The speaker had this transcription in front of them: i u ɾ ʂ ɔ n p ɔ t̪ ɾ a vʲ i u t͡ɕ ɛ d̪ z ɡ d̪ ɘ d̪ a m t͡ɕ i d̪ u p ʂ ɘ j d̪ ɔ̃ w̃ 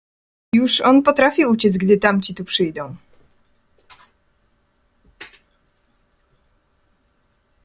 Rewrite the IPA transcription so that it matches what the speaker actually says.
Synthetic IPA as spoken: j u ʂ ɔ n p ɔ t̪ ɾ a fʲ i u t͡ɕ ɛ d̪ z ɡ d̪ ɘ t̪ a m t͡ɕ i t̪ u p ʂ ɘ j d̪ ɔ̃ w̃

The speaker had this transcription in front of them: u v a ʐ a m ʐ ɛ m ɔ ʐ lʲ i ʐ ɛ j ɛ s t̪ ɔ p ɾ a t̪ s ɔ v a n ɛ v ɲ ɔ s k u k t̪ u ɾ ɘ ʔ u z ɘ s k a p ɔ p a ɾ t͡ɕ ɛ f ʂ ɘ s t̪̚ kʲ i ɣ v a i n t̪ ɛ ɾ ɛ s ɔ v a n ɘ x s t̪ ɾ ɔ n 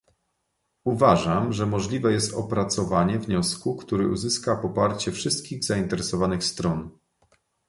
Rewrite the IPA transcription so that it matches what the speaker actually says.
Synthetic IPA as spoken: u v a ʐ a m ʐ ɛ m ɔ ʐ lʲ i v ɛ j ɛ s t̪ ɔ p ɾ a t̪ s ɔ v a ɲ ɛ v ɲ ɔ s k u k t̪ u ɾ ɘ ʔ u z ɘ s k a p ɔ p a ɾ t͡ɕ ɛ f ʂ ɘ s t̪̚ kʲ i ɣ z a i n t̪ ɛ ɾ ɛ s ɔ v a n ɘ x s t̪ ɾ ɔ n

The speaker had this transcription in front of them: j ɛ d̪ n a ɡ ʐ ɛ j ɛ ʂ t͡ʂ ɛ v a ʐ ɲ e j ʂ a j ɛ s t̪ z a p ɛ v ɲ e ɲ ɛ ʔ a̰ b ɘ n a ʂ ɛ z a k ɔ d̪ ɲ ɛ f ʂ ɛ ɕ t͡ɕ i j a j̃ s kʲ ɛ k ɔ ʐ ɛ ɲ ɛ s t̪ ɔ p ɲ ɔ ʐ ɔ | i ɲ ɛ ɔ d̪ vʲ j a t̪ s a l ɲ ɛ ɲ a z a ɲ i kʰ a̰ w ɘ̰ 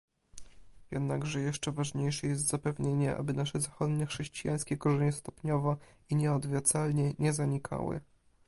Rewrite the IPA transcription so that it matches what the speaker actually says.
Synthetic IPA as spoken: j ɛ d̪ n a ɡ ʐ ɛ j ɛ ʂ t͡ʂ ɛ v a ʐ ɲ e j ʂ ɛ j ɛ s t̪ z a p ɛ v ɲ e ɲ ɛ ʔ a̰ b ɘ n a ʂ ɛ z a x ɔ d̪ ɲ ɛ x ʂ ɛ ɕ t͡ɕ i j a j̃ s kʲ ɛ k ɔ ʐ ɛ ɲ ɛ s t̪ ɔ p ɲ ɔ v ɔ | i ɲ ɛ ɔ d̪ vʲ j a t̪ s a l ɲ ɛ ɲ ɛ z a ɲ i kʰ a̰ w ɘ̰

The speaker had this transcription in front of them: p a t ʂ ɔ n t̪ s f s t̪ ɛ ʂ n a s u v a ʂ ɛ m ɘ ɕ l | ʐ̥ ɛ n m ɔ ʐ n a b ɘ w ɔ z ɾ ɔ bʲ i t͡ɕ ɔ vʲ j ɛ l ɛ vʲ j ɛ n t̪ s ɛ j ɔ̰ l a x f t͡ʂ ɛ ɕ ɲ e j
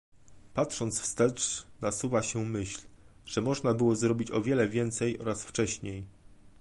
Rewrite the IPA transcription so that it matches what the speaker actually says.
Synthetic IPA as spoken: p a t ʂ ɔ n t̪ s f s t̪ ɛ t͡ʂ n a s u v a ɕ ɛ m ɘ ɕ l | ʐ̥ ɛ m ɔ ʐ n a b ɘ w ɔ z ɾ ɔ bʲ i t͡ɕ ɔ vʲ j ɛ l ɛ vʲ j ɛ n t̪ s ɛ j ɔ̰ ɾ a s f t͡ʂ ɛ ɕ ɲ e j

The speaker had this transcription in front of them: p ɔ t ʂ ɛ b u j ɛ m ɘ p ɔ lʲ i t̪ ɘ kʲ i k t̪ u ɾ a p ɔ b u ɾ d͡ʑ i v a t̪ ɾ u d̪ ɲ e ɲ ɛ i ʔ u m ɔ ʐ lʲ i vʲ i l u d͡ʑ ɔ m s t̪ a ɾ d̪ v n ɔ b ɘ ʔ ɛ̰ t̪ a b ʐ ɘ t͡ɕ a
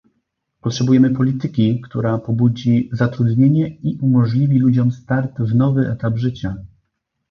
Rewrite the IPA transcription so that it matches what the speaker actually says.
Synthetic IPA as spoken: p ɔ t ʂ ɛ b u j ɛ m ɘ p ɔ lʲ i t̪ ɘ kʲ i k t̪ u ɾ a p ɔ b u d͡ʑ i z a t̪ ɾ u d̪ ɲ e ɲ ɛ i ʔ u m ɔ ʐ lʲ i vʲ i l u d͡ʑ ɔ m s t̪ a ɾ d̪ v n ɔ v ɘ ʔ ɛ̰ t̪ a b ʐ ɘ t͡ɕ a

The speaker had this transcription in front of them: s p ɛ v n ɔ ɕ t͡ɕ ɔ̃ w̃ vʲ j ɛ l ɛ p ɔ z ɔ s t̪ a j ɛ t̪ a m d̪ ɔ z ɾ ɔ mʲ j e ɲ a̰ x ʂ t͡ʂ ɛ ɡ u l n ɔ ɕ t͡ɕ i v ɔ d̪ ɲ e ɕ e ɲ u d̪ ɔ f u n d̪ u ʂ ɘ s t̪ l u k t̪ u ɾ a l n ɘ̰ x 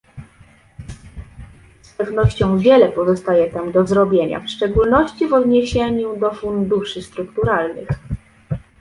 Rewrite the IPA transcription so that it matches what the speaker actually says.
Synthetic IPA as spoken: s p ɛ v n ɔ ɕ t͡ɕ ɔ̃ w̃ vʲ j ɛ l ɛ p ɔ z ɔ s t̪ a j ɛ t̪ a m d̪ ɔ z ɾ ɔ bʲ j e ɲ a̰ f ʂ t͡ʂ ɛ ɡ u l n ɔ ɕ t͡ɕ i v ɔ d̪ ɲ e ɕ e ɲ u d̪ ɔ f u n d̪ u ʂ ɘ s t̪ ɾ u k t̪ u ɾ a l n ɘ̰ x

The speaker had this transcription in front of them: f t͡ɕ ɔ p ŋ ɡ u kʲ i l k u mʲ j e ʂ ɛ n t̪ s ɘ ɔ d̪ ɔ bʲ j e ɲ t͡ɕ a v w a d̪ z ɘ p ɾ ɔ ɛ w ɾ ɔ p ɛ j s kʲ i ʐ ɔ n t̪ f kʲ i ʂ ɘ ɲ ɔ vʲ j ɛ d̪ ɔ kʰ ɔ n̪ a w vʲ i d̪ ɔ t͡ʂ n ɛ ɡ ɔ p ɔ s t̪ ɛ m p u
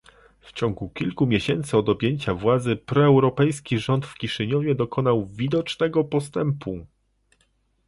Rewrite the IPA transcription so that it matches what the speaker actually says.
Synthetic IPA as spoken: f t͡ɕ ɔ ŋ ɡ u kʲ i l k u mʲ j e ɕ ɛ n t̪ s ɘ ɔ d̪ ɔ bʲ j e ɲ t͡ɕ a v w a d̪ z ɘ p ɾ ɔ ɛ w ɾ ɔ p ɛ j s kʲ i ʐ ɔ n t̪ f kʲ i ʂ ɘ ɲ ɔ vʲ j ɛ d̪ ɔ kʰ ɔ n̪ a w vʲ i d̪ ɔ t͡ʂ n ɛ ɡ ɔ p ɔ s t̪ ɛ m p u

